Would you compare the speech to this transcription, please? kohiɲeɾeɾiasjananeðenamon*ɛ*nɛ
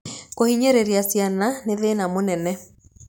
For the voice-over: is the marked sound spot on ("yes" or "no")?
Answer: yes